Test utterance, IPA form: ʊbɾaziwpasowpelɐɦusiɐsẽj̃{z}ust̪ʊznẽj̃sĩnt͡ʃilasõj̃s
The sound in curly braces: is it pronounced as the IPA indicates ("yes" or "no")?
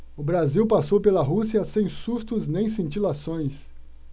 no